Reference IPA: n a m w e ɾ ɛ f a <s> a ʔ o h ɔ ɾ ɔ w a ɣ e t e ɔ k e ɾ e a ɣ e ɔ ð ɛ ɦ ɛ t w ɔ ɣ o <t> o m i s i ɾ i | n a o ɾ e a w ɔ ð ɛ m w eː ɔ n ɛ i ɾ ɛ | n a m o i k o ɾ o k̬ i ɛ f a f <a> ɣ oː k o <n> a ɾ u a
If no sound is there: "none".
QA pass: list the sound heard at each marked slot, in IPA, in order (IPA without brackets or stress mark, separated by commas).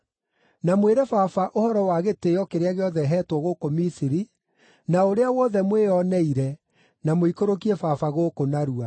f, k, a, n